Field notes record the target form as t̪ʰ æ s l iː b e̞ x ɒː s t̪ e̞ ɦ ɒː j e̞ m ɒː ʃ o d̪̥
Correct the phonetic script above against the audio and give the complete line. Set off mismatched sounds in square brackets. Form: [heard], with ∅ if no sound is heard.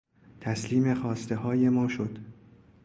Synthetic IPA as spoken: t̪ʰ æ s l iː [m] e̞ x ɒː s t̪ e̞ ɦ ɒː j e̞ m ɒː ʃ o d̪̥